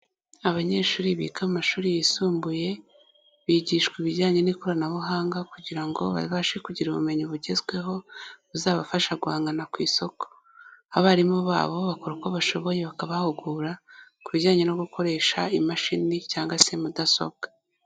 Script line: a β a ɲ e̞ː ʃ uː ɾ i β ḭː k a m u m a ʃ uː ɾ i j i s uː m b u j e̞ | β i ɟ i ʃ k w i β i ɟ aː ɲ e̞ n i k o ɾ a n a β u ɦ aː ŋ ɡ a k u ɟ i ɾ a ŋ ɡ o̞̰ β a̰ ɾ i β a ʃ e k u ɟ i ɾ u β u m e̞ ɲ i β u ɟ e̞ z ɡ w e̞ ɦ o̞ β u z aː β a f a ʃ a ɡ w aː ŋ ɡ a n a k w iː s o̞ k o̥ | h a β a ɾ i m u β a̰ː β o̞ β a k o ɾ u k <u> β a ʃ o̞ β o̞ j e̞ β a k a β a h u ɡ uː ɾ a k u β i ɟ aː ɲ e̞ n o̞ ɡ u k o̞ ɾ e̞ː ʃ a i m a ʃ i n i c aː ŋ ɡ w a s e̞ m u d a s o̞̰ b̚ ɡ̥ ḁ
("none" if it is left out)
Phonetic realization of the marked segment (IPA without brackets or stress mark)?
o